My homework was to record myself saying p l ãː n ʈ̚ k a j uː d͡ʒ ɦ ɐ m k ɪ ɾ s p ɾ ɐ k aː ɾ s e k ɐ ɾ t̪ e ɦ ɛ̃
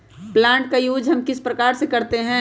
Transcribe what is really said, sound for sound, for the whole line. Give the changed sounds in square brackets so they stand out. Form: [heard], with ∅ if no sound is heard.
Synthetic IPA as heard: p l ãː [ɳ] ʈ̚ k a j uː d͡ʒ ɦ ɐ m k ɪ [∅] s p ɾ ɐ k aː ɾ s e k ɐ ɾ t̪ e ɦ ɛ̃